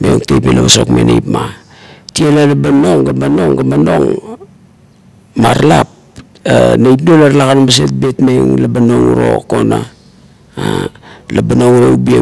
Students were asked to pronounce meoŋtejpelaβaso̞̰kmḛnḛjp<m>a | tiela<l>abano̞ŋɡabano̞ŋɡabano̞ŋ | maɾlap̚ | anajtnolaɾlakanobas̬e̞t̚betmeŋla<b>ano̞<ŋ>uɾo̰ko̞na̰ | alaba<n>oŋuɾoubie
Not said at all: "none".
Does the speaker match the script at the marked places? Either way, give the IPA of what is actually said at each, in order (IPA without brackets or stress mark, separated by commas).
m, l, b, ŋ, n